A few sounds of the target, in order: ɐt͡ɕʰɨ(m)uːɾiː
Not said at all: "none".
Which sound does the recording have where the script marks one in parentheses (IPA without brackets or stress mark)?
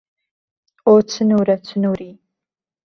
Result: n